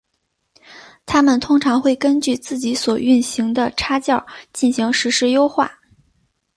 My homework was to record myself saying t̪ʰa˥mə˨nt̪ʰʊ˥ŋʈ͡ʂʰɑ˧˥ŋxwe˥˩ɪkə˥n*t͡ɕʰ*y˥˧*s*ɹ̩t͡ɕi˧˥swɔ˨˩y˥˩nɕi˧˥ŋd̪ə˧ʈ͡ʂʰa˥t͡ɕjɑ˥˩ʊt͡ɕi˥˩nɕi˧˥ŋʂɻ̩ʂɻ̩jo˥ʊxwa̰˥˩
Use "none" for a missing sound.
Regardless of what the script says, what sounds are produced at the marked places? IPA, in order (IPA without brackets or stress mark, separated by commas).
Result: t͡ɕ, t͡s